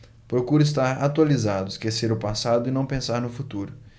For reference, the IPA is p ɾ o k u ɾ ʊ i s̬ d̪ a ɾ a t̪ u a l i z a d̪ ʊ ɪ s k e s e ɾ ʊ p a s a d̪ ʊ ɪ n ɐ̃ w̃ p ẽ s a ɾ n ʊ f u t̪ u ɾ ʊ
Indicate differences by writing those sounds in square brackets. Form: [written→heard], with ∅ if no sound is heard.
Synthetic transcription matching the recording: p ɾ o k u ɾ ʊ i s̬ [d̪→t̪] a ɾ a t̪ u a l i z a d̪ ʊ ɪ s k e s e ɾ ʊ p a s a d̪ ʊ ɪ n ɐ̃ w̃ p ẽ s a ɾ n ʊ f u t̪ u ɾ ʊ